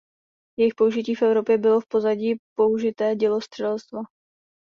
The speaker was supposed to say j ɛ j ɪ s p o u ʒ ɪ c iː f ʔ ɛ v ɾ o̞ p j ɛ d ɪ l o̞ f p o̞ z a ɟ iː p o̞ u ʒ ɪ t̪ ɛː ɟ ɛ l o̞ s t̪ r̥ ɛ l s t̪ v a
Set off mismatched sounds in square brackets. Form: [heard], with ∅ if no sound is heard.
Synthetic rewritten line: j ɛ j ɪ [x] p o u ʒ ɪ c iː f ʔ ɛ v ɾ o̞ p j ɛ [b] ɪ l o̞ f p o̞ z a ɟ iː p o̞ u ʒ ɪ t̪ ɛː ɟ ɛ l o̞ s t̪ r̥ ɛ l s t̪ v a

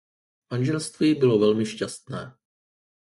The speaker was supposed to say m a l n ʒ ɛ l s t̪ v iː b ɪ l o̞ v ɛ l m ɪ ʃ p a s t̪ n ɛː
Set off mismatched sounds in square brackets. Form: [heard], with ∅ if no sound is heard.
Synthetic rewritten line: m a [∅] n ʒ ɛ l s t̪ v iː b ɪ l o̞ v ɛ l m ɪ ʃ [c] a s t̪ n ɛː

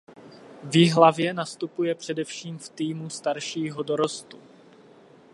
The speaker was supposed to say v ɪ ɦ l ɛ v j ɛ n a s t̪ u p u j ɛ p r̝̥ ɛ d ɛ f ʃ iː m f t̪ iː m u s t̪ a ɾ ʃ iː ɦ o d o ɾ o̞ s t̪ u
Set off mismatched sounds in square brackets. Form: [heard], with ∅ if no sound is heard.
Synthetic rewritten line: v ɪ ɦ l [a] v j ɛ n a s t̪ u p u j ɛ p r̝̥ ɛ d ɛ f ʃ iː m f t̪ iː m u s t̪ a ɾ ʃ iː ɦ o d o ɾ o̞ s t̪ u

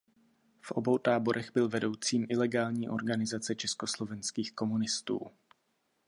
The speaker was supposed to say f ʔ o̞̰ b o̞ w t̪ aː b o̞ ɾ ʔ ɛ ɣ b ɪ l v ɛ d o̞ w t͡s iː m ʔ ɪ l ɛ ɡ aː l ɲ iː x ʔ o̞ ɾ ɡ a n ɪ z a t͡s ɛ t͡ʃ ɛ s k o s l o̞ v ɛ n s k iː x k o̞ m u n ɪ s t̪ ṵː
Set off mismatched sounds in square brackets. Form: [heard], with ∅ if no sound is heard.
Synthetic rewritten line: f ʔ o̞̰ b o̞ w t̪ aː b o̞ ɾ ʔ ɛ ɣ b ɪ l v ɛ d o̞ w t͡s iː m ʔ ɪ l ɛ ɡ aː l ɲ iː [∅] ʔ o̞ ɾ ɡ a n ɪ z a t͡s ɛ t͡ʃ ɛ s k o s l o̞ v ɛ n s k iː x k o̞ m u n ɪ s t̪ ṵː

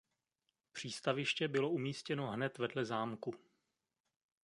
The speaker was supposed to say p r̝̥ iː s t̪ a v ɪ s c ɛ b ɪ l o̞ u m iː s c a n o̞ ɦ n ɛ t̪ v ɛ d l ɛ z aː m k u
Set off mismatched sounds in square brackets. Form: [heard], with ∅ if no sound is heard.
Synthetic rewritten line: p r̝̥ iː s t̪ a v ɪ [ʃ] c ɛ b ɪ l o̞ u m iː s c [ɛ] n o̞ ɦ n ɛ t̪ v ɛ d l ɛ z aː m k u

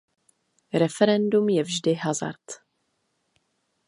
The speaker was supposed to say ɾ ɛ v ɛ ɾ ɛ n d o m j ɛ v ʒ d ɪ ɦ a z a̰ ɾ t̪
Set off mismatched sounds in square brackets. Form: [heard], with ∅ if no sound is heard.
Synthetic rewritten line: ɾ ɛ [f] ɛ ɾ ɛ n d [u] m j ɛ v ʒ d ɪ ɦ a z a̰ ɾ t̪

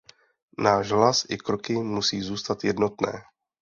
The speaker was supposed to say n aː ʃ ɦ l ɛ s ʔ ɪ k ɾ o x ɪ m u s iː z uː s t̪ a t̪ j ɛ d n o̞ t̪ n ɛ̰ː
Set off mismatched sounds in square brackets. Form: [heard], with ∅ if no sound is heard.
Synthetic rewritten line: n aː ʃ ɦ l [a] s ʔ ɪ k ɾ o [k] ɪ m u s iː z uː s t̪ a t̪ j ɛ d n o̞ t̪ n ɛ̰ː

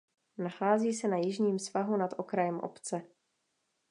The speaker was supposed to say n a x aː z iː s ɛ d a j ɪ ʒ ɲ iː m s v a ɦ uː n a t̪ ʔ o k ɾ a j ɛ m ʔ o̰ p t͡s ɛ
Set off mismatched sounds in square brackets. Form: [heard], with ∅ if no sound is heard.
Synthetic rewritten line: n a x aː z iː s ɛ [n] a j ɪ ʒ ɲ iː m s v a ɦ [u] n a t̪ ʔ o k ɾ a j ɛ m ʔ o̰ p t͡s ɛ

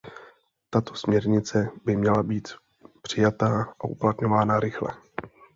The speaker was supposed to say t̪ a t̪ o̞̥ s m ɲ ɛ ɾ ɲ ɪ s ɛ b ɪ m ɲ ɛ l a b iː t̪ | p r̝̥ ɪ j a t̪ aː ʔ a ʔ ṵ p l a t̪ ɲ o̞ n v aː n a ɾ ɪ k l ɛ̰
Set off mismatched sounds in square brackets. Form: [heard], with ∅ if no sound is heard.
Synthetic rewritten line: t̪ a t̪ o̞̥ s m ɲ ɛ ɾ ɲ ɪ [t͡s] ɛ b ɪ m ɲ ɛ l a b iː t̪ | p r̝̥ ɪ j a t̪ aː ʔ a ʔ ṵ p l a t̪ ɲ o̞ [∅] v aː n a ɾ ɪ [x] l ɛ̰

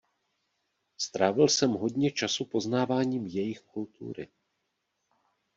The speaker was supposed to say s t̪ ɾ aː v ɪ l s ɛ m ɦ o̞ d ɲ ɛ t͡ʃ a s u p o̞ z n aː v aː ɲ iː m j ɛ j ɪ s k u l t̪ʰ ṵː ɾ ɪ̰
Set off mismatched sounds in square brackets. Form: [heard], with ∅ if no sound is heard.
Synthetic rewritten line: s t̪ ɾ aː v ɪ l s ɛ m ɦ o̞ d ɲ ɛ t͡ʃ a s u p o̞ z n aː v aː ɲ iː m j ɛ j ɪ [x] k u l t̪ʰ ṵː ɾ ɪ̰

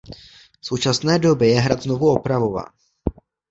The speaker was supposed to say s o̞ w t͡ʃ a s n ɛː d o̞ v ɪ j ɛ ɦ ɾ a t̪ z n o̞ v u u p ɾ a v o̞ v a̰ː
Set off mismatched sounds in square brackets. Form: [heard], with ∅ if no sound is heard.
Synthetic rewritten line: s o̞ w t͡ʃ a s n ɛː d o̞ [b] ɪ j ɛ ɦ ɾ a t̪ z n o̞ v u [o] p ɾ a v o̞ v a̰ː

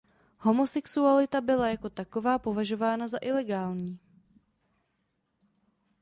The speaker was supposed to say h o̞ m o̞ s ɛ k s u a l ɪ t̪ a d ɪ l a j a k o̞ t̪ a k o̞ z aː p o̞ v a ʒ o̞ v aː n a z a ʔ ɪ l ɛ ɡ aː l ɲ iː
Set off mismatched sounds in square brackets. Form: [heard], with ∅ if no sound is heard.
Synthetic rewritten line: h o̞ m o̞ s ɛ k s u a l ɪ t̪ a [b] ɪ l a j a k o̞ t̪ a k o̞ [v] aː p o̞ v a ʒ o̞ v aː n a z a ʔ ɪ l ɛ ɡ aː l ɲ iː

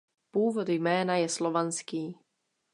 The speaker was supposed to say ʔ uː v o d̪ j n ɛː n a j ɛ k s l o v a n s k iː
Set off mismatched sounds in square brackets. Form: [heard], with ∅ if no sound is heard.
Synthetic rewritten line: [p] uː v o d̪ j [m] ɛː n a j ɛ [∅] s l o v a n s k iː

